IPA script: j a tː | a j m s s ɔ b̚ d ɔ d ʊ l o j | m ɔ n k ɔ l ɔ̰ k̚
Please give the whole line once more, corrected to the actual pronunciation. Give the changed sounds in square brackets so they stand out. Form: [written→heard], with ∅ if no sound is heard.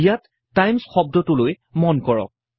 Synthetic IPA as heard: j a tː | a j m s [s→x] ɔ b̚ d ɔ [d→t] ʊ l o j | m ɔ n k ɔ [l→ɹ] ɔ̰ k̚